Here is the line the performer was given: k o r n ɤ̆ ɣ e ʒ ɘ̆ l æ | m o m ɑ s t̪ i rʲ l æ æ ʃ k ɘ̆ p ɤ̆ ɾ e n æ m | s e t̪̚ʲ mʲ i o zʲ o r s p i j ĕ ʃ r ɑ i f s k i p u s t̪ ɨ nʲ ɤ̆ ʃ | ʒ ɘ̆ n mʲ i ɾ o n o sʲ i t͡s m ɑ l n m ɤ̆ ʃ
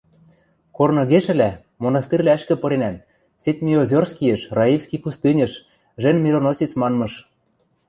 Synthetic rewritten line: k o r n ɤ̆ ɣ e ʃ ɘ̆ l æ | m o n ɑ s t̪ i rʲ l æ æ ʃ k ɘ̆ p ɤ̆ ɾ e n æ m | s e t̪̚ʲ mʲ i o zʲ o r s k i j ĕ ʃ r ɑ i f s k i p u s t̪ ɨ nʲ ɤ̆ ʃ | ʒ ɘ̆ n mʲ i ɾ o n o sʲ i t͡s m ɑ n m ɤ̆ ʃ